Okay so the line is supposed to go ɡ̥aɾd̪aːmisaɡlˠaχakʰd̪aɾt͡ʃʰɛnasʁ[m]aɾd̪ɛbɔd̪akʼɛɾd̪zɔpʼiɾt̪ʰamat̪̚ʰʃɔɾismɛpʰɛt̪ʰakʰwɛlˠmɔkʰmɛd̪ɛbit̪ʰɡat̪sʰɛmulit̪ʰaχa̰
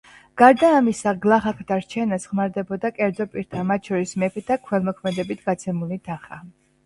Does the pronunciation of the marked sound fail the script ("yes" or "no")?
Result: no